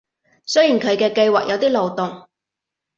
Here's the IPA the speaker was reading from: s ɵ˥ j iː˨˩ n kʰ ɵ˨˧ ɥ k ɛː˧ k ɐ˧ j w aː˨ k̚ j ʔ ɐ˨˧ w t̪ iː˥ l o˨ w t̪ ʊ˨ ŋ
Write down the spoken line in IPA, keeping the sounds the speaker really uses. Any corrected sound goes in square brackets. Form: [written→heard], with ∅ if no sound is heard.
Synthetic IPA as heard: s ɵ˥ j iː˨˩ n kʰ ɵ˨˧ ɥ k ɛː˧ k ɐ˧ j w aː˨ k̚ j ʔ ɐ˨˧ w t̪ iː˥ l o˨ w t̪ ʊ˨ ŋ